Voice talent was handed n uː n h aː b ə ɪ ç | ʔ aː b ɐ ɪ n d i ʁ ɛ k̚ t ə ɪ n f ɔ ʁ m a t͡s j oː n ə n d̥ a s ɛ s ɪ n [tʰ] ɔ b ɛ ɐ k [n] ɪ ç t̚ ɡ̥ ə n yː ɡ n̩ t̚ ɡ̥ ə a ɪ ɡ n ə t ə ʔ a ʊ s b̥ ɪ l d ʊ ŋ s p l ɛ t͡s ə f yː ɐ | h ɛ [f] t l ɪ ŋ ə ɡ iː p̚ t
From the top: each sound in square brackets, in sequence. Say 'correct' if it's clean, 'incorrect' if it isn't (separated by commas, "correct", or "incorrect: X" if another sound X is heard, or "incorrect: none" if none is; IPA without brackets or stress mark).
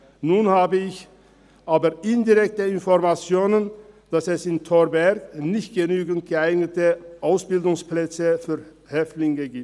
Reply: correct, correct, correct